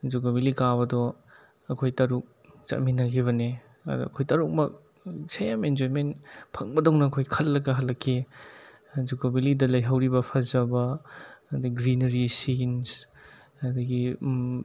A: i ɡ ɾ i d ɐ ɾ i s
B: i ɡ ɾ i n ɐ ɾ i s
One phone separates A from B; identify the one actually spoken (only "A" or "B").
B